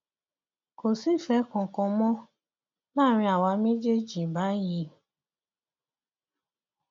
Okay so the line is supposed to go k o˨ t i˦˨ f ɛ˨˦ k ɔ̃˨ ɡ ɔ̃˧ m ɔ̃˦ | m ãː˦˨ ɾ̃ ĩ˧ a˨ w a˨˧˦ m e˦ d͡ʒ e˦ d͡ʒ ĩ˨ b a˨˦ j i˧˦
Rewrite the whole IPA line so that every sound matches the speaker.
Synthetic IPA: k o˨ s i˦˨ f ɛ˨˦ k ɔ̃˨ k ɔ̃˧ m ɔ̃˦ | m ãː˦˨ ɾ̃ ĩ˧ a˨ w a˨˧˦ m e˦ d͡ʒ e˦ d͡ʒ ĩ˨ b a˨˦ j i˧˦